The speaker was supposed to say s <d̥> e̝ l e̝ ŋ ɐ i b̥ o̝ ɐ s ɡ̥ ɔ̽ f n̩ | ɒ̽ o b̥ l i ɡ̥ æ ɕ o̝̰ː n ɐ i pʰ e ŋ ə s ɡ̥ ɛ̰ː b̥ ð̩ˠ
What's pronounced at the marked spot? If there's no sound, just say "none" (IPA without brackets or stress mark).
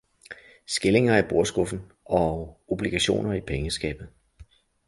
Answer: ɡ̥